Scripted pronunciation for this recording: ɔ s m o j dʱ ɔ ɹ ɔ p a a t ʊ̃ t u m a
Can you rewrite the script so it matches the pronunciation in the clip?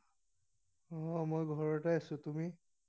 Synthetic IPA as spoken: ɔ m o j ɡʱ ɔ ɹ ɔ t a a s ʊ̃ t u m i